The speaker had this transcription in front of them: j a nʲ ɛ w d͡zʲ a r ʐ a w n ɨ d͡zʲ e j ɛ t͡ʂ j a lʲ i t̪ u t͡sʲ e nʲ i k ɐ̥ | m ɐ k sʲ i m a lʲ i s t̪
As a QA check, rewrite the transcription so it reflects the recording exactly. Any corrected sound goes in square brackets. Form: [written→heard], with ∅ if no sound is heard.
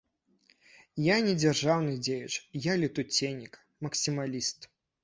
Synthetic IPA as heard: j a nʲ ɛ [w→∅] d͡zʲ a r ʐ a w n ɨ d͡zʲ e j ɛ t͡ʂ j a lʲ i t̪ u t͡sʲ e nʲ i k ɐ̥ | m ɐ k sʲ i m a lʲ i s t̪